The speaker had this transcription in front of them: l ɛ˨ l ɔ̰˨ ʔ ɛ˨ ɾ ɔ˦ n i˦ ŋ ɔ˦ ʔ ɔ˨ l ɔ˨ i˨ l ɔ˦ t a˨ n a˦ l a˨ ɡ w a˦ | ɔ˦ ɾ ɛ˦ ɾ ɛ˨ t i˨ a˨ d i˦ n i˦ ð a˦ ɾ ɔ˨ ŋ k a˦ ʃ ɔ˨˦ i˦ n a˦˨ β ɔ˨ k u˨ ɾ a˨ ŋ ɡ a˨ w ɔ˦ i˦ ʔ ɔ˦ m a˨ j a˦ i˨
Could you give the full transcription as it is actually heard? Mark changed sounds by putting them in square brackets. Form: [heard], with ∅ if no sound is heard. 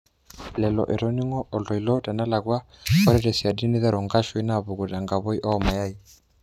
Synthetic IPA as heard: l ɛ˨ l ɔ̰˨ ʔ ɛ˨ ɾ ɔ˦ n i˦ ŋ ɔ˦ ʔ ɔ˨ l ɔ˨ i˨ l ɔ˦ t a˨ n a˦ l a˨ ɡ w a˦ | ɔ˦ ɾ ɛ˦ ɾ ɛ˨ [s] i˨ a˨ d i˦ n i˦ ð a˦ ɾ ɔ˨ ŋ [ɡ] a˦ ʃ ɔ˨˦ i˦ n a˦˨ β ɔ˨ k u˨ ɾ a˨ ŋ ɡ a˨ [β] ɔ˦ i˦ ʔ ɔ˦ m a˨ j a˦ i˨